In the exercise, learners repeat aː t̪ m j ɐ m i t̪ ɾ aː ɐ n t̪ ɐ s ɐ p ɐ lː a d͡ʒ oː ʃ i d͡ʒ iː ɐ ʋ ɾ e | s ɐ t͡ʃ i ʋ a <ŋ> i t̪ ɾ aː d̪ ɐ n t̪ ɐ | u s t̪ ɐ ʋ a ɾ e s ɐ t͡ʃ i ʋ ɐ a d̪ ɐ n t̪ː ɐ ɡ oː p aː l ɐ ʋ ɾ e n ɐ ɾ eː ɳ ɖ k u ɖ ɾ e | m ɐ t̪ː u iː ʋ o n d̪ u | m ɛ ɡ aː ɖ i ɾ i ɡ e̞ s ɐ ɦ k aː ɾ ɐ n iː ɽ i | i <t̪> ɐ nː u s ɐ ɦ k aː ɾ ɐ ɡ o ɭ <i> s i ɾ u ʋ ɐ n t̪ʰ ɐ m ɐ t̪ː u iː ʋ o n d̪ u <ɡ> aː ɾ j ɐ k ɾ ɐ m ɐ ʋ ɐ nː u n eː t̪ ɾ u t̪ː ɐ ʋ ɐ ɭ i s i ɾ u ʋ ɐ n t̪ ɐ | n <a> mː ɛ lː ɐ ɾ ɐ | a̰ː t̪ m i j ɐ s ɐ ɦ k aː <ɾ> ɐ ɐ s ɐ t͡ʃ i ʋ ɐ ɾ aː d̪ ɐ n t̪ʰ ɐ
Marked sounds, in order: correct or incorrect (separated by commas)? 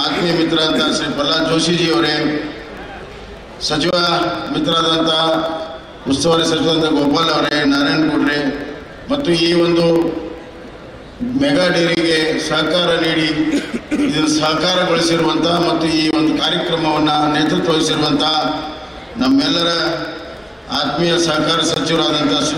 incorrect, incorrect, correct, incorrect, incorrect, correct